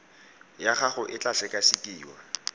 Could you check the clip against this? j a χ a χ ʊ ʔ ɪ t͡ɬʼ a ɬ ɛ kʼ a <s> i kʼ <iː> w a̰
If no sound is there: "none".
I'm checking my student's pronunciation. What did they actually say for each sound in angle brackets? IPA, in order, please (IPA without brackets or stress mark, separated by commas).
s, iː